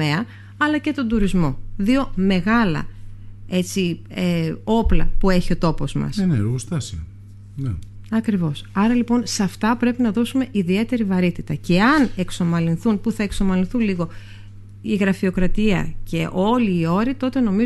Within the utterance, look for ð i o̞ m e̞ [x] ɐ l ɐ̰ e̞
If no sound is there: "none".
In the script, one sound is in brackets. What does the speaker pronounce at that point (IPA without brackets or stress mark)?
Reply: ɣ